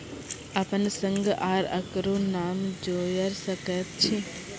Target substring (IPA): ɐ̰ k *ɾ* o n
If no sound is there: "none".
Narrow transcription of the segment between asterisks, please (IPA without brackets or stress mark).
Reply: ɾ